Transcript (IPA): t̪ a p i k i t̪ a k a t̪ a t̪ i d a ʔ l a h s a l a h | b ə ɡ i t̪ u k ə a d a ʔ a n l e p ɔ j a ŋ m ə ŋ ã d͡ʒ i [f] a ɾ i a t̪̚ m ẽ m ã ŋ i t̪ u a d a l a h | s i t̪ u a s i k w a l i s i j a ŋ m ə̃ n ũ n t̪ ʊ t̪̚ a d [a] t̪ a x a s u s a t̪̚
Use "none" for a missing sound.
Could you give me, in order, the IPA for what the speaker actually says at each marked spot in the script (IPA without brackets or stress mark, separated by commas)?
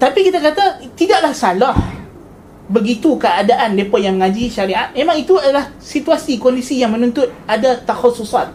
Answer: ʃ, a